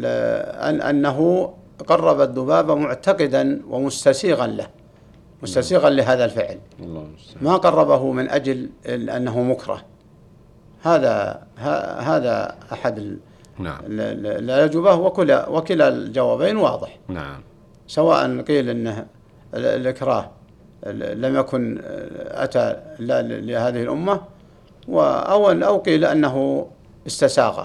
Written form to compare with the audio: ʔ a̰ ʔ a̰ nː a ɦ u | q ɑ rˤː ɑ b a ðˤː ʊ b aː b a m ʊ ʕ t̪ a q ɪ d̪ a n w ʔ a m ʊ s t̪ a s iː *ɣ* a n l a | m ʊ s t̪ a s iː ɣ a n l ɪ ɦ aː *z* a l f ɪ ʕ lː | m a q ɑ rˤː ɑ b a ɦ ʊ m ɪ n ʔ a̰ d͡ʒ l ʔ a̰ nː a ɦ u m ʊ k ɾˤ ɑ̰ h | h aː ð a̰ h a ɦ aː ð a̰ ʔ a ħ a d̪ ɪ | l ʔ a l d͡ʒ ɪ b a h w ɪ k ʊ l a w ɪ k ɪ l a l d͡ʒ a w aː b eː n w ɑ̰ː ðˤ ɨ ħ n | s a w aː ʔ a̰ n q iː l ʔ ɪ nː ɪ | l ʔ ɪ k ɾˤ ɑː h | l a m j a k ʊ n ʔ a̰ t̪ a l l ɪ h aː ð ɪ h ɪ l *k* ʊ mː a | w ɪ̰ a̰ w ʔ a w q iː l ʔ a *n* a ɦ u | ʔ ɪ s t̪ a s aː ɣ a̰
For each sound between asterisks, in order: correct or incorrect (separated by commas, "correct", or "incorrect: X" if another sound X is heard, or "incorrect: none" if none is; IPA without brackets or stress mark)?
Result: correct, incorrect: ð, incorrect: ʔ, incorrect: nː